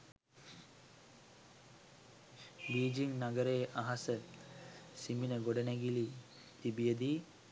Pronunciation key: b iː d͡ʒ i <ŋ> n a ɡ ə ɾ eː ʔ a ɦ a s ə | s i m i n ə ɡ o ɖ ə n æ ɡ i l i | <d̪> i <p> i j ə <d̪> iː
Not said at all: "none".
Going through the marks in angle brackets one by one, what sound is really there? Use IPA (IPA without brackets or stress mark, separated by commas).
ŋ, t̪, b, d̪